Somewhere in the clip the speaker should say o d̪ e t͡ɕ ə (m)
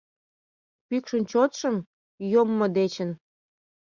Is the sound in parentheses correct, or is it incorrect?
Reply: incorrect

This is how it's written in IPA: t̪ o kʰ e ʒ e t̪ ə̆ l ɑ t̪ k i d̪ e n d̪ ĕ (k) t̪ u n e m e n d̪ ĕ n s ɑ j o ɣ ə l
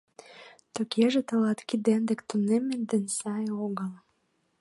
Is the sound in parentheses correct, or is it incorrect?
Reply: correct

